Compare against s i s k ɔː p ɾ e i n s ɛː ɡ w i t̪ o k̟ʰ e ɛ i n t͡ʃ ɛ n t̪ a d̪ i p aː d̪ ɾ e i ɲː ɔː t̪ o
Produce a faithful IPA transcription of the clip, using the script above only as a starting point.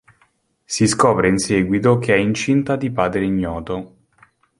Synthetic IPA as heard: s i s k ɔː p ɾ e i n s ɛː ɡ w i t̪ o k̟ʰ e ɛ i n t͡ʃ i n t̪ a d̪ i p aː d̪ ɾ e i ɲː ɔː t̪ o